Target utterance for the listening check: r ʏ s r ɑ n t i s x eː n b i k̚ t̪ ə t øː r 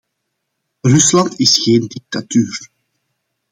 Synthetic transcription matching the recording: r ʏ s l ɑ n t ɪ s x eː n d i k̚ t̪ a t yː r